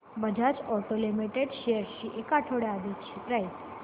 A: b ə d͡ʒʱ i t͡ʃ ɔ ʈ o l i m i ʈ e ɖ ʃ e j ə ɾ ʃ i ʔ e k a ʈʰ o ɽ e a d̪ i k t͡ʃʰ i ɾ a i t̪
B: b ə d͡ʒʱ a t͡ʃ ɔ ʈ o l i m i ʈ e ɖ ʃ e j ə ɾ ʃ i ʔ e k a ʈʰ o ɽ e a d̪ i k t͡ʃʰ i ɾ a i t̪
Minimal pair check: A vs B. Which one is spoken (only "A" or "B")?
B